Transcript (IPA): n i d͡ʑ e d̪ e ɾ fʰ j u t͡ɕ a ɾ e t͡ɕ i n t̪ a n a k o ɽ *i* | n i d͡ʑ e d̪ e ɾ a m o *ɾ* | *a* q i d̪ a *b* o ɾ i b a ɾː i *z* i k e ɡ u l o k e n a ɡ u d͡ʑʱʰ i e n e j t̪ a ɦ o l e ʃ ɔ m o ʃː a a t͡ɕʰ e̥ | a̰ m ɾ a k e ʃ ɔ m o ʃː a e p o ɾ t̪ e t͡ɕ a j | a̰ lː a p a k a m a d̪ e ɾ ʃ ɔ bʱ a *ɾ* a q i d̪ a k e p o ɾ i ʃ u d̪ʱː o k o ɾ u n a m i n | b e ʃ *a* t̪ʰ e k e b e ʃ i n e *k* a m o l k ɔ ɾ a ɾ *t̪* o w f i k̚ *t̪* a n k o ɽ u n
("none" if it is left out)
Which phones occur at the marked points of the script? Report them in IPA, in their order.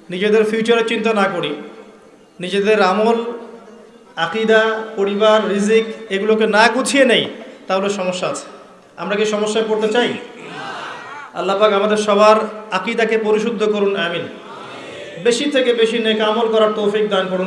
i, l, a, p, z, ɾ, i, k, t̪, d̪

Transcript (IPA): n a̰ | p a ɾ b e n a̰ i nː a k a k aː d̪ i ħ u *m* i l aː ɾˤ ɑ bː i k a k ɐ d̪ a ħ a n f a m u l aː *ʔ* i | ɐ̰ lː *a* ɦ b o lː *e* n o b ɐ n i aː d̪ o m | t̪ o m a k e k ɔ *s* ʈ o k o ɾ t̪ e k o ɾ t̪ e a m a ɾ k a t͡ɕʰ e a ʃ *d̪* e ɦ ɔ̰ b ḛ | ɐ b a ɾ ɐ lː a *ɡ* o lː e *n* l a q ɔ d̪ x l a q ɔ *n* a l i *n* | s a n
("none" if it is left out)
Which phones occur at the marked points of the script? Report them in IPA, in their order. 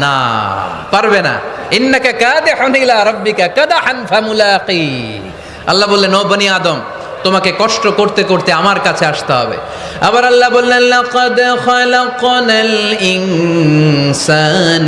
n, q, a, e, ʃ, t̪, b, n, n, n

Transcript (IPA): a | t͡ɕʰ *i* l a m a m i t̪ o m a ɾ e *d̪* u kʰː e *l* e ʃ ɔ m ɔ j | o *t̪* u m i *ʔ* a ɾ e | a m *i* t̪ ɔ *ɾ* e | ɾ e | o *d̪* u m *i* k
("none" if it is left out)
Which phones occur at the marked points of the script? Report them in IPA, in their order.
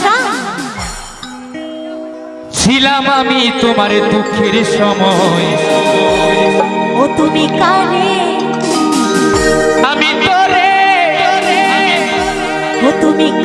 i, d̪, ɾ, t̪, k, i, ɾ, t̪, i

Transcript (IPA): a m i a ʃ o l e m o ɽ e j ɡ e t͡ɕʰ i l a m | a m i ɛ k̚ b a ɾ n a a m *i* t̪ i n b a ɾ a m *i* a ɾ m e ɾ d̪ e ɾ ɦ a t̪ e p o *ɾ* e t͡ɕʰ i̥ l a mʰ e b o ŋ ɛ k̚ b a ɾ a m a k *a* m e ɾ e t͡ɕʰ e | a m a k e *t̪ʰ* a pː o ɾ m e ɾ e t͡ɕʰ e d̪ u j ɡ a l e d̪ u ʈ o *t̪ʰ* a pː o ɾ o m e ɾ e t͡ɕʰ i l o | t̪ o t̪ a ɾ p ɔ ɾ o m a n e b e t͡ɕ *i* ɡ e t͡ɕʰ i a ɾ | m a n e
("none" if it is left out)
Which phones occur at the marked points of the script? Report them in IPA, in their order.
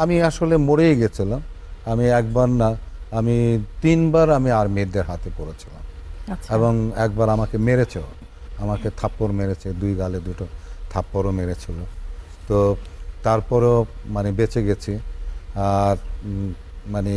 i, i, ɾ, e, t̪ʰ, t̪ʰ, e

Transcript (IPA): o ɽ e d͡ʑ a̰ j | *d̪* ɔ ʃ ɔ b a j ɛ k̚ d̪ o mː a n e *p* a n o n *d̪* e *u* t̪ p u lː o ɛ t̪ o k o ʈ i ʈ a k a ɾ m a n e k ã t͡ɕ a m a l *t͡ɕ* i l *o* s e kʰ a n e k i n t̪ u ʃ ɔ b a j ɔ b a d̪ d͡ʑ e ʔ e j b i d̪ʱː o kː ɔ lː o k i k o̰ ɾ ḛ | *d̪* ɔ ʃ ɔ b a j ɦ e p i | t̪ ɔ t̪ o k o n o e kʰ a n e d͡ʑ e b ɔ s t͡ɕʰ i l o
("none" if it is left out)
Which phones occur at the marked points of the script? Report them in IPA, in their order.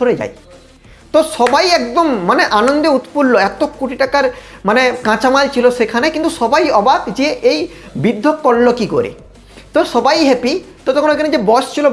t̪, ʔ, d̪, u, t͡ɕʰ, o, t̪

